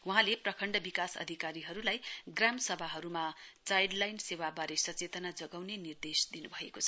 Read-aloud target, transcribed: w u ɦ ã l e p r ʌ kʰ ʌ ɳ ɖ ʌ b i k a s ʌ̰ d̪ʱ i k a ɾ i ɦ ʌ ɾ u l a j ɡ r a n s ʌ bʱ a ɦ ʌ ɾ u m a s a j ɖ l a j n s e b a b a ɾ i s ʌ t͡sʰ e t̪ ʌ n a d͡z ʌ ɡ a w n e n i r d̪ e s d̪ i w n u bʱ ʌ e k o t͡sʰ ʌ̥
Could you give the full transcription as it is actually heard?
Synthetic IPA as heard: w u ɦ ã l e p r ʌ kʰ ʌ ɳ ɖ ʌ b i k a s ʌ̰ d̪ʱ i k a ɾ i ɦ ʌ ɾ u l a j ɡ r a m s ʌ bʱ a ɦ ʌ ɾ u m a t͡s a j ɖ l a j n s e w a b a ɾ e s ʌ t͡s e t̪ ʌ n a d͡z ʌ ɡ a w n e n i r d̪ e s d̪ i n u bʱ ʌ e k o t͡sʰ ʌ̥